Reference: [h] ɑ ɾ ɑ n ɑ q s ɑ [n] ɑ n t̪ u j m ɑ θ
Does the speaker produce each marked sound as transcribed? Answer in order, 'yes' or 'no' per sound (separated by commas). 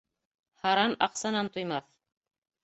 yes, yes